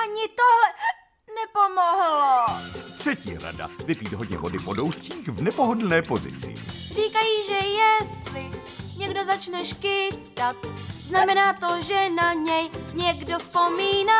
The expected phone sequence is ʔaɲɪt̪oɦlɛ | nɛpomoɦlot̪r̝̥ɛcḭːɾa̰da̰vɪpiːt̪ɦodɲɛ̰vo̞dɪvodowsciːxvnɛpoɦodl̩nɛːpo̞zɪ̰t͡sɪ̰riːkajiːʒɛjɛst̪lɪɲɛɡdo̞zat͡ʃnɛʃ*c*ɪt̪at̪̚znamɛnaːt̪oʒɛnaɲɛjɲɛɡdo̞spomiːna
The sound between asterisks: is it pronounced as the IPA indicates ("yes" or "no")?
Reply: no